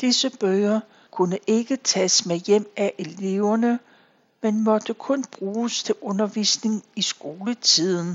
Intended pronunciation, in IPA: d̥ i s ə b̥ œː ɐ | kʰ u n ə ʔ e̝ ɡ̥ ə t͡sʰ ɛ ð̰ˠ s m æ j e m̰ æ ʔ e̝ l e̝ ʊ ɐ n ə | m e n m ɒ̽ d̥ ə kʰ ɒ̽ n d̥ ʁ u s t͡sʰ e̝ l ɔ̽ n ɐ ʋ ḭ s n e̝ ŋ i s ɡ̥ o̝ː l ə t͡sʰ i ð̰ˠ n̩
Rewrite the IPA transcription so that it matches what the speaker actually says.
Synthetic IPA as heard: d̥ i s ə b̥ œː ɐ | kʰ u n ə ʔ e̝ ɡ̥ ə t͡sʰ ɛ s m e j e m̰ æ ʔ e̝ l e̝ ʊ ɐ n ə | m e n m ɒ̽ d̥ ə kʰ ɔ̽ n b̥ ʁ uː s t͡sʰ e̝ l ɔ̽ n ɐ ʋ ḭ s n e̝ ŋ i s ɡ̥ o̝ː l ə t͡sʰ i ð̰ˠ n̩